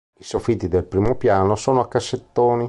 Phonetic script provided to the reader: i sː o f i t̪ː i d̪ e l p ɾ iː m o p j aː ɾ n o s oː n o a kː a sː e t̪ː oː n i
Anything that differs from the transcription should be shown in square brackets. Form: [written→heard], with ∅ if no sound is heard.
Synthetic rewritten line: i [sː→s] o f i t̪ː i d̪ e l p ɾ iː m o p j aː [ɾ→∅] n o s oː n o a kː a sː e t̪ː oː n i